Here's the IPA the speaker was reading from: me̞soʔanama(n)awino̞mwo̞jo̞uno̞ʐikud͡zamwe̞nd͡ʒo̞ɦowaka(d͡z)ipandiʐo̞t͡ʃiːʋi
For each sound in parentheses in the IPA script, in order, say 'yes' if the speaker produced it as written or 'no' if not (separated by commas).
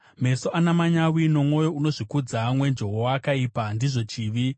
no, no